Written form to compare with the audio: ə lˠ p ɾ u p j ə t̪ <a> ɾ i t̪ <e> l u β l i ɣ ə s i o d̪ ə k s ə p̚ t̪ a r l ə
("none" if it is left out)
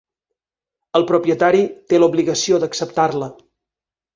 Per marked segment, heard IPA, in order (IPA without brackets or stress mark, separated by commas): a, e